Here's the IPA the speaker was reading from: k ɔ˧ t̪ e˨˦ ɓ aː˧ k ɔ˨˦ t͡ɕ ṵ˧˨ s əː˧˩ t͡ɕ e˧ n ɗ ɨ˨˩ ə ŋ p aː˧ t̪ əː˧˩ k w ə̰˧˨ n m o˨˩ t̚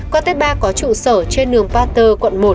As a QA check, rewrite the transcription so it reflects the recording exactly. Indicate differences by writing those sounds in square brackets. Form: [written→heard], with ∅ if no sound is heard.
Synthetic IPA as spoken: k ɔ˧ t̪ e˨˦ ɓ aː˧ k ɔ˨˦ t͡ɕ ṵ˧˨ s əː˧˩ t͡ɕ e˧ n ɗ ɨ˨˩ ə ŋ p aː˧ t̪ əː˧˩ k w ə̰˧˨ n m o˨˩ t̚

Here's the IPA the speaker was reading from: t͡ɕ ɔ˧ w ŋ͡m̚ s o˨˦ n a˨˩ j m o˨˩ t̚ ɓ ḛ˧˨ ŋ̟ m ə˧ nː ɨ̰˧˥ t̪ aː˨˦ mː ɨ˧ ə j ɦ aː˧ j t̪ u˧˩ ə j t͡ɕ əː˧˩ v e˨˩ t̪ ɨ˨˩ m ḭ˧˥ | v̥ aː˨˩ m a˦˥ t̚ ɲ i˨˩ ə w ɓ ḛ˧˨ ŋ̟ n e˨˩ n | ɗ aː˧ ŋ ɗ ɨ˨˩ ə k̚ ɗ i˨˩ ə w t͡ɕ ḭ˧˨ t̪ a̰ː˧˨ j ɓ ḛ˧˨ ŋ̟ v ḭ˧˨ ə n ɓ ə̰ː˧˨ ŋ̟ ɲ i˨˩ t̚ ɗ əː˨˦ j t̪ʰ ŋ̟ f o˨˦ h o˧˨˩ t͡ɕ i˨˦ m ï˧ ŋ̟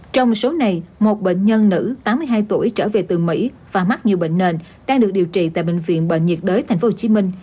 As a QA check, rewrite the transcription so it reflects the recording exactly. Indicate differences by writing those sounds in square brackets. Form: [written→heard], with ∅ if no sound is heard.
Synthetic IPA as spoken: t͡ɕ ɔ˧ w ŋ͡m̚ s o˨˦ n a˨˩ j m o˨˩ t̚ ɓ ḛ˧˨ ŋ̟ [m→ɲ] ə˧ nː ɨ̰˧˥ t̪ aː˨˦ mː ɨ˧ ə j ɦ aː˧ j t̪ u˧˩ ə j t͡ɕ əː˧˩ v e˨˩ t̪ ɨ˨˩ m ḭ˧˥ | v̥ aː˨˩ m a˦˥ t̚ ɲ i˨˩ ə w ɓ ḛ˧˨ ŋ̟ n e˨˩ n | ɗ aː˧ ŋ ɗ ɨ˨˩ ə k̚ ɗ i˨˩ ə w t͡ɕ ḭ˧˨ t̪ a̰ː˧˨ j ɓ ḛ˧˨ ŋ̟ v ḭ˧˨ ə n ɓ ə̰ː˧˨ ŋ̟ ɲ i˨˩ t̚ ɗ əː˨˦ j t̪ʰ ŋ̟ f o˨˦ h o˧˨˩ t͡ɕ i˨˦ m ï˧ ŋ̟

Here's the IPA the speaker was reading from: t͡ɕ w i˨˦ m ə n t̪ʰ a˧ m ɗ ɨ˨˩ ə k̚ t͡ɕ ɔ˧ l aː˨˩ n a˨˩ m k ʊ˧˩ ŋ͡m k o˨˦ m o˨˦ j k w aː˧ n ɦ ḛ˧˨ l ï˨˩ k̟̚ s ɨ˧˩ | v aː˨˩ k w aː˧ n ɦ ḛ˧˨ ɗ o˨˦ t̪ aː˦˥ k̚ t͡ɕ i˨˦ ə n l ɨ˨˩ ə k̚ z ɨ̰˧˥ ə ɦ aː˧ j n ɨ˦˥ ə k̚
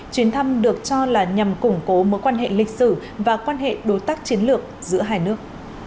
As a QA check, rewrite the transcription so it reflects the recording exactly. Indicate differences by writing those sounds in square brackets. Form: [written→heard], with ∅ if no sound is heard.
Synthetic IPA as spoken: t͡ɕ w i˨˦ [m→∅] ə n t̪ʰ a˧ m ɗ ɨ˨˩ ə k̚ t͡ɕ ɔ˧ l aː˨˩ [n→ɲ] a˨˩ m k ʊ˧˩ ŋ͡m k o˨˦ m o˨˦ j k w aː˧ n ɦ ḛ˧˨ l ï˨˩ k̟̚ s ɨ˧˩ | v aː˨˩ k w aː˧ n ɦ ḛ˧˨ ɗ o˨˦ t̪ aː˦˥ k̚ t͡ɕ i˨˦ ə n l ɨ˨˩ ə k̚ z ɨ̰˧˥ ə ɦ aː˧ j n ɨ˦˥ ə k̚

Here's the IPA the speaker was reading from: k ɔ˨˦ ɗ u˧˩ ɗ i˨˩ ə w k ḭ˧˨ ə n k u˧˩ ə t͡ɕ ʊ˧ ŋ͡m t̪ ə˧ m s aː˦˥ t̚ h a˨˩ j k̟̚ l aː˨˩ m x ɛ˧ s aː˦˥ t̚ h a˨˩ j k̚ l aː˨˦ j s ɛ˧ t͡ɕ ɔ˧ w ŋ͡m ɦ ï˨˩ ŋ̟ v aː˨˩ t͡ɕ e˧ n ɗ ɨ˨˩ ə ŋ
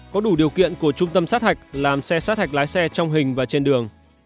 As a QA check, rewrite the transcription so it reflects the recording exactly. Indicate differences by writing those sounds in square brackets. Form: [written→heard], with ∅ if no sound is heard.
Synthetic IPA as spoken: k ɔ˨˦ ɗ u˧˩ ɗ i˨˩ ə w k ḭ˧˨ ə n k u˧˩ ə t͡ɕ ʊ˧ ŋ͡m t̪ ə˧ m s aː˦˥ t̚ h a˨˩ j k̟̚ l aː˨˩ m [x→s] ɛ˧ s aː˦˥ t̚ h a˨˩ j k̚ l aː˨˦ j s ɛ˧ t͡ɕ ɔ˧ w ŋ͡m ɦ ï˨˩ ŋ̟ v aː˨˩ t͡ɕ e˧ n ɗ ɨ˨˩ ə ŋ

